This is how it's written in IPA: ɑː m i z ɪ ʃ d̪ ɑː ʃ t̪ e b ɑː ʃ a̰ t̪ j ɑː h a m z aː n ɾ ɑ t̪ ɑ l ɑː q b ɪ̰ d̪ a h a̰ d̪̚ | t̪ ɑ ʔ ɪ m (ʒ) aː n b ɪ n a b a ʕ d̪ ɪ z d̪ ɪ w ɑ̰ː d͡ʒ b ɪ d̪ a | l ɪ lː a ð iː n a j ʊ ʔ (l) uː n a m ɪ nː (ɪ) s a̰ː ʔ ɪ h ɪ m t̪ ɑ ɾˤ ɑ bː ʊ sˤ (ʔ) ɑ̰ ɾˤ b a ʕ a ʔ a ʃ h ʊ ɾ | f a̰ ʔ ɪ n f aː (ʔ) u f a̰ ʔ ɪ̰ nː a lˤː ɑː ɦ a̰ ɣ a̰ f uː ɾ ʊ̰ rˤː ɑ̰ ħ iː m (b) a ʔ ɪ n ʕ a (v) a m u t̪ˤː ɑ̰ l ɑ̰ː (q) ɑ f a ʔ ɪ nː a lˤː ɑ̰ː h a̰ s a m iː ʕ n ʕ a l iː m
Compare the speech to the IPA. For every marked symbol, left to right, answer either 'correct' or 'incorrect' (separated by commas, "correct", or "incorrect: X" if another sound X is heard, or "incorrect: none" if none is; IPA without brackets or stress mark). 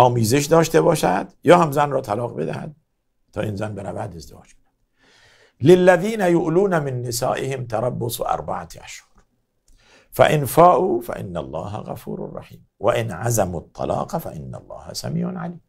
incorrect: z, correct, correct, correct, correct, incorrect: w, incorrect: z, correct